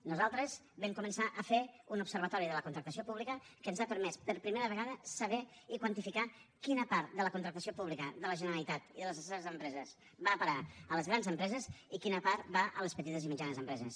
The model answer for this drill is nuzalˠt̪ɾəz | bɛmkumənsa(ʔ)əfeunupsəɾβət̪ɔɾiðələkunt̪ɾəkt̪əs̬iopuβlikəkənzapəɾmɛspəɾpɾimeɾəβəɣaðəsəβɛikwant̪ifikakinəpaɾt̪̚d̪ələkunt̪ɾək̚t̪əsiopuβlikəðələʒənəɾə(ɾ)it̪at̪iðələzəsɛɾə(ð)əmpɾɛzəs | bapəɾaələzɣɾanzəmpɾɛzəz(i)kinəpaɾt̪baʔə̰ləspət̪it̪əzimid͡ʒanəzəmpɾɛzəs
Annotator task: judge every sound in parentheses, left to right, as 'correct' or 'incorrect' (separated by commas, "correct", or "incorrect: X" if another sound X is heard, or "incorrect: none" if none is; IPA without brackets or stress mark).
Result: correct, incorrect: l, incorrect: z, correct